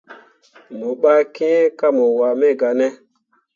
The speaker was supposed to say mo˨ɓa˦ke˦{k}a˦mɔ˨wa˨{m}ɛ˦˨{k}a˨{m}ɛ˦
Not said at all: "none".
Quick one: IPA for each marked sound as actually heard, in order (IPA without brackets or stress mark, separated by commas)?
k, m, ɡ, n